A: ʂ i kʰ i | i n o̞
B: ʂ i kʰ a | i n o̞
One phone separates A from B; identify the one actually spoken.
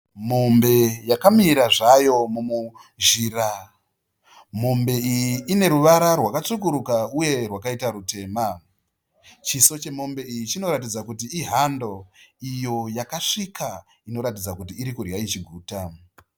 B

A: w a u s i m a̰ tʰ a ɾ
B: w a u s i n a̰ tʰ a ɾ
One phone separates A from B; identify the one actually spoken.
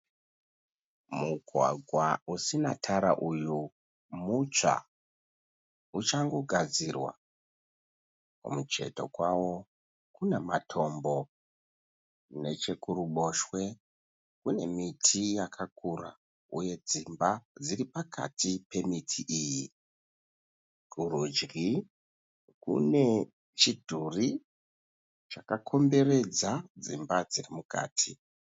B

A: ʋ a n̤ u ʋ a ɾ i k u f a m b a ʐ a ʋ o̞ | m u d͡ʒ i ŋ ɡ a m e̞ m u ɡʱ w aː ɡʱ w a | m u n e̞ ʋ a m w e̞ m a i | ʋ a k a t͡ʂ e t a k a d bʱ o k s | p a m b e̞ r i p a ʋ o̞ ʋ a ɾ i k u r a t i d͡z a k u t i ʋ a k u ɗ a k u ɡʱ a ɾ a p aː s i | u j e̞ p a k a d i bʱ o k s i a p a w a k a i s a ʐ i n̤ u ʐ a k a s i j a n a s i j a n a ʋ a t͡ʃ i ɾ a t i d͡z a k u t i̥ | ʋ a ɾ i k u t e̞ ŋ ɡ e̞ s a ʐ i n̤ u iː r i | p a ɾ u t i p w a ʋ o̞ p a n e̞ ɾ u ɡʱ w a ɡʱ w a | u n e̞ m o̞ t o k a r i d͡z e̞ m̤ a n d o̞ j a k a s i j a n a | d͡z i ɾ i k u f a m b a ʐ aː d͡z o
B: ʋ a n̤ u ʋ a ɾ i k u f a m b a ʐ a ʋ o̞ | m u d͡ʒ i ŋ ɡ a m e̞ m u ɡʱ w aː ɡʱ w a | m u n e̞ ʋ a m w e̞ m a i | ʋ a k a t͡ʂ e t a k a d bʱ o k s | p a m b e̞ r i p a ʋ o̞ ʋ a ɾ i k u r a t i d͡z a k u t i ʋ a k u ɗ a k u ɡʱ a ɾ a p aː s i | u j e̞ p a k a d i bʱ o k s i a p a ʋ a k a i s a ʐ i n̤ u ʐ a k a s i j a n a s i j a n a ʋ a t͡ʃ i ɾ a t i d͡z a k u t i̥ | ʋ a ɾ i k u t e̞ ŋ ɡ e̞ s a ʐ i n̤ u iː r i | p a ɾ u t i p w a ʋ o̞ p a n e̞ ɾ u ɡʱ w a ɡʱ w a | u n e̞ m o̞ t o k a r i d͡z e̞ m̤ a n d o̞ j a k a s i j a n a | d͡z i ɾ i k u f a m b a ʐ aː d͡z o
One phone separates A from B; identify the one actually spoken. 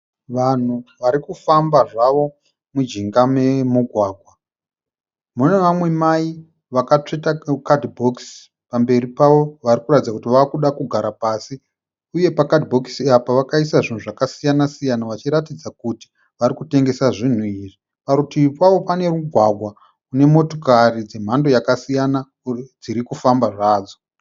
B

